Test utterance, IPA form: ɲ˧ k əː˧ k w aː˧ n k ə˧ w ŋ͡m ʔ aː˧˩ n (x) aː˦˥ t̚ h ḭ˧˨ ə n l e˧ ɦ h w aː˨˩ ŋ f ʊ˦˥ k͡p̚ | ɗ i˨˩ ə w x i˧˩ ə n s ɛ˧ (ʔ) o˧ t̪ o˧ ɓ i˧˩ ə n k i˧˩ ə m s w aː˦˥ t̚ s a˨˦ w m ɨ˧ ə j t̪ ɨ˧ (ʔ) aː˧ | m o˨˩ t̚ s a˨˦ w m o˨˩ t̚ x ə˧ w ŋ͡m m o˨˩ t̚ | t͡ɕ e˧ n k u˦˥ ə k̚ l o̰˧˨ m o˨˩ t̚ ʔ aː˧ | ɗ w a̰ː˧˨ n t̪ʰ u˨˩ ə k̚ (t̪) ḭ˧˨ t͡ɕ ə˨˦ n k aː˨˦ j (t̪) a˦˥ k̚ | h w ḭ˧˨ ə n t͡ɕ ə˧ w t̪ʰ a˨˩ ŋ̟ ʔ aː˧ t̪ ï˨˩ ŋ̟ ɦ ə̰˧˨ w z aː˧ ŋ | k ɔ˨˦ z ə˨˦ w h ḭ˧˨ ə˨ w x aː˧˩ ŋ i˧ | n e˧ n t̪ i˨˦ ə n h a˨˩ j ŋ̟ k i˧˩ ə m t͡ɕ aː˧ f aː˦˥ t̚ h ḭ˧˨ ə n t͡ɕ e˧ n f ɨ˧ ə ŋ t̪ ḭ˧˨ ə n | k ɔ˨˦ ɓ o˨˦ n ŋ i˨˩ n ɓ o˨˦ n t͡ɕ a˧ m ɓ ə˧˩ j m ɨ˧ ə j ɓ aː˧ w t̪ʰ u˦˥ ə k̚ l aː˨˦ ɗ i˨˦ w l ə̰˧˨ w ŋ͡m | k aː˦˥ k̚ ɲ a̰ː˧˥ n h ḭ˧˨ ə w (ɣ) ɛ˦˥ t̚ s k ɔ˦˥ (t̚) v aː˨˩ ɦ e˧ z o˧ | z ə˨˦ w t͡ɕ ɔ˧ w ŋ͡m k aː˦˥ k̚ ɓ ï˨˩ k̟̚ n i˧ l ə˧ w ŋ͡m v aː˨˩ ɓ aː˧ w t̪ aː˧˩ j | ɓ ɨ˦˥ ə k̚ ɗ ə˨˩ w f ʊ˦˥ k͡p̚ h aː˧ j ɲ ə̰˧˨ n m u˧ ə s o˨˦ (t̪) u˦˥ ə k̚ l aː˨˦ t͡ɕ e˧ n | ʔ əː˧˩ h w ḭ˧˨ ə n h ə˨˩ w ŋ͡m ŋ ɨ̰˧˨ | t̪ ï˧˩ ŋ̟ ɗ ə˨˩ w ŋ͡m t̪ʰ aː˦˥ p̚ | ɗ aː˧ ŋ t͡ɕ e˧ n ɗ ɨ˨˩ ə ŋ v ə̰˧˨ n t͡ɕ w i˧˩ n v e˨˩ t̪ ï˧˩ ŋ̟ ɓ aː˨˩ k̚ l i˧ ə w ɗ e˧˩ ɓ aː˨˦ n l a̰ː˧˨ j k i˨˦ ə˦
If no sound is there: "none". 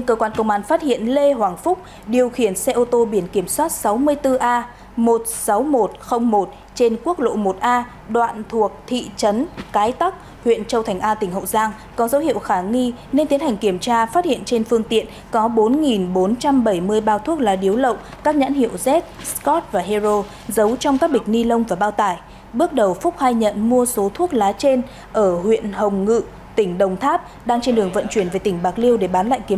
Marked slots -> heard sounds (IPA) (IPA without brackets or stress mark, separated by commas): f, ʔ, ʔ, t̪ʰ, t̪, z, t̚, t̪ʰ